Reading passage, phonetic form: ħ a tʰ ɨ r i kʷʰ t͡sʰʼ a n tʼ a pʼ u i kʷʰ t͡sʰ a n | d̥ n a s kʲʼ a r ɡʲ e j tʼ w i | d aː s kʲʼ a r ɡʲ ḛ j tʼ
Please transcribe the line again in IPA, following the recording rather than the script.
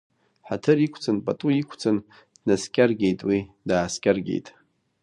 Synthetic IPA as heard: ħ a tʰ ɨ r i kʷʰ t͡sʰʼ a n pʼ a tʼ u i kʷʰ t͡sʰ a n | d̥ n a s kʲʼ a r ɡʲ e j tʼ w i | d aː s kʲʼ a r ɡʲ ḛ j tʼ